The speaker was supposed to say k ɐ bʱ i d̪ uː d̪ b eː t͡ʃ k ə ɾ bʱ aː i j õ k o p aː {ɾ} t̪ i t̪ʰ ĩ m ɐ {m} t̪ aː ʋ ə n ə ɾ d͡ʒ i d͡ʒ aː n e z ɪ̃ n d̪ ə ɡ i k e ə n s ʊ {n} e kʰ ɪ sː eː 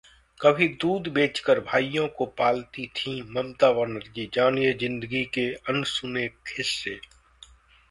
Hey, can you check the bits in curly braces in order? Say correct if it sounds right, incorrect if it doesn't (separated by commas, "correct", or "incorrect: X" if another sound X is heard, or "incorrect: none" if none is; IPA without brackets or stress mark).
incorrect: l, correct, correct